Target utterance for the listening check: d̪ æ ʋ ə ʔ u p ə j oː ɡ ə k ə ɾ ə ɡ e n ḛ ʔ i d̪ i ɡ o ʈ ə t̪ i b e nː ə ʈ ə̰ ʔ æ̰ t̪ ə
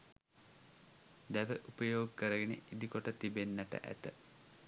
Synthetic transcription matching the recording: d̪ æ ʋ ə ʔ u p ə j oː ɡ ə k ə ɾ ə ɡ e n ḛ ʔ i d̪ i k o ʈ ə t̪ i b e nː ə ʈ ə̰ ʔ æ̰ t̪ ə